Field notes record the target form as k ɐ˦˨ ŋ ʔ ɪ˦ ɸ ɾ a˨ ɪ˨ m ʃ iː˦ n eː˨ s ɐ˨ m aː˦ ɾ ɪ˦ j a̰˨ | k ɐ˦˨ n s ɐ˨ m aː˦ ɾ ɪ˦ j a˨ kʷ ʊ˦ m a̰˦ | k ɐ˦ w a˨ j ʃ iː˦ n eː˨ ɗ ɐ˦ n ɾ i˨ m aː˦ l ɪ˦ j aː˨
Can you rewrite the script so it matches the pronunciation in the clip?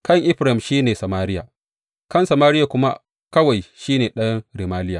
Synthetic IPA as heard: k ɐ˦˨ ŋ ʔ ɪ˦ ɸ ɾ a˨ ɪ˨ m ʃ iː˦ n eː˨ s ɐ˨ m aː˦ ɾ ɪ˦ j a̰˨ | k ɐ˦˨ n s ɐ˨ m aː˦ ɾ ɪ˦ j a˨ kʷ ʊ˦ m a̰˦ | k ɐ˦ w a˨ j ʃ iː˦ n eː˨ ɗ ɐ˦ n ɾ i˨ m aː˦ l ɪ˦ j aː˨